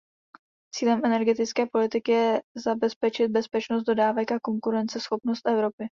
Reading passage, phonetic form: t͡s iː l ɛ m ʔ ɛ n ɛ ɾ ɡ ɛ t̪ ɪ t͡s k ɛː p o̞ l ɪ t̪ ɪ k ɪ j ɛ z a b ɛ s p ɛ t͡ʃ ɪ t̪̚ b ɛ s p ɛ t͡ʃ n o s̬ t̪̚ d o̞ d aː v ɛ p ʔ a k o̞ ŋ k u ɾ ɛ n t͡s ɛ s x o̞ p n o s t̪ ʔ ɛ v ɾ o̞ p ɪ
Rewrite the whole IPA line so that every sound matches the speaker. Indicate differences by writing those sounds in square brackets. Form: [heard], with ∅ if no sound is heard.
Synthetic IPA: t͡s iː l ɛ m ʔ ɛ n ɛ ɾ ɡ ɛ t̪ ɪ t͡s k ɛː p o̞ l ɪ t̪ ɪ k ɪ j ɛ z a b ɛ s p ɛ t͡ʃ ɪ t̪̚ b ɛ s p ɛ t͡ʃ n o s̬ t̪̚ d o̞ d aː v ɛ [k] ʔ a k o̞ ŋ k u ɾ ɛ n t͡s ɛ s x o̞ p n o s t̪ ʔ ɛ v ɾ o̞ p ɪ